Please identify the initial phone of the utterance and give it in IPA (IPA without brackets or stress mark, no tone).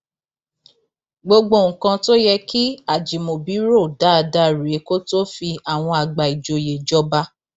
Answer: ɡ͡b